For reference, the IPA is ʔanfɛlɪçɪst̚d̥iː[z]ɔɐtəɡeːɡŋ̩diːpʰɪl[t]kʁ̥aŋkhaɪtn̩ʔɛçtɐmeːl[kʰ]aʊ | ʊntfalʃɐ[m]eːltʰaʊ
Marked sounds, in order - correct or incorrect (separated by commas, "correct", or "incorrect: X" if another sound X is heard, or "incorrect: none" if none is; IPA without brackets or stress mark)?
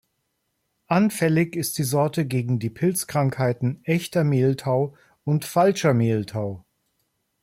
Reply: correct, incorrect: t͡s, incorrect: tʰ, correct